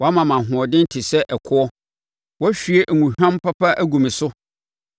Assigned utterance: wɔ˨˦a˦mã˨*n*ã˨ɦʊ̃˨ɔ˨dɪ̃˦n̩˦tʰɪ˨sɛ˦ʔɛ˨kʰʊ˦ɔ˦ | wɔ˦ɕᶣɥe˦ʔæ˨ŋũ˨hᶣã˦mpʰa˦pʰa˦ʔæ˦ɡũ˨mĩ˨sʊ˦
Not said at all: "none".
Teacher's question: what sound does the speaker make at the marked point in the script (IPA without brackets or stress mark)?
m